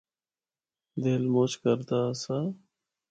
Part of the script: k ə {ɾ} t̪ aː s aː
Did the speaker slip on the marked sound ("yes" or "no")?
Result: no